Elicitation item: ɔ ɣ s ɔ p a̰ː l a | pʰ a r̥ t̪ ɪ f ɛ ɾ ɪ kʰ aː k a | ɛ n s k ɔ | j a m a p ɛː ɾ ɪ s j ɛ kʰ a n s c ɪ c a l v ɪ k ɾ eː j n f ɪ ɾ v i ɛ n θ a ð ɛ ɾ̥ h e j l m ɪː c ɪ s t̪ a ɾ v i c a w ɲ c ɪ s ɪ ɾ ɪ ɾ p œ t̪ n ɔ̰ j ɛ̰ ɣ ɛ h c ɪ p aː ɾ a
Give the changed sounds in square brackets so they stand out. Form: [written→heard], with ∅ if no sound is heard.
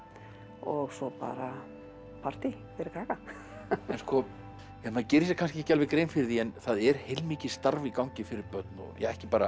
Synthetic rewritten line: ɔ ɣ s ɔ p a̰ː [l→ɾ] a | pʰ a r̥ t̪ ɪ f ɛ ɾ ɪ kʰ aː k a | ɛ n s k ɔ | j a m a [p→c] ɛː ɾ ɪ s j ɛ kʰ a n s c ɪ c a l v ɪ k ɾ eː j n f ɪ ɾ [v→ð] i ɛ n θ a ð ɛ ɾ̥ h e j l m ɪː c ɪ s t̪ a ɾ v i [c→k] a w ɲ c ɪ [s→f] ɪ ɾ ɪ ɾ p œ t̪ n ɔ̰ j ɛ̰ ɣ ɛ h c ɪ p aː ɾ a